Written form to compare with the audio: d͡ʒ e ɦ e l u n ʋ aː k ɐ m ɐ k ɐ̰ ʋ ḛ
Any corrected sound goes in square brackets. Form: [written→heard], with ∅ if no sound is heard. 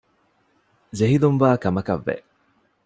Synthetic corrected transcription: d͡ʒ e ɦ [e→i] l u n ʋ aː k ɐ m ɐ k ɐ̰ [ʋ→ʋː] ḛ

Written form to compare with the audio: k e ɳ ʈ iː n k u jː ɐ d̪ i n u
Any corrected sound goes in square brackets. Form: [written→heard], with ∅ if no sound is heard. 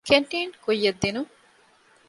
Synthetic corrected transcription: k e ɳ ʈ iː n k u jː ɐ [d̪→d̪ː] i n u

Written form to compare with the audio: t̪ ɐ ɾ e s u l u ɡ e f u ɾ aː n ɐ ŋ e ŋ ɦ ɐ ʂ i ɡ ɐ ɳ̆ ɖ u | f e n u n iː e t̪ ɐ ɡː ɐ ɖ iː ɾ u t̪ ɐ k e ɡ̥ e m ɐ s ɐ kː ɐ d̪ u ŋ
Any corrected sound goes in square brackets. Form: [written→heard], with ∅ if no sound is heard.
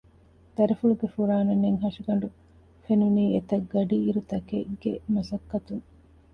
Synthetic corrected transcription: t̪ ɐ ɾ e [s→f] u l u ɡ e f u ɾ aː n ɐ [ŋ→n] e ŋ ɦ ɐ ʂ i ɡ ɐ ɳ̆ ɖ u | f e n u n iː e t̪ ɐ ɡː ɐ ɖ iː ɾ u t̪ ɐ k e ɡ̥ e m ɐ s ɐ kː ɐ [d̪→t̪] u ŋ

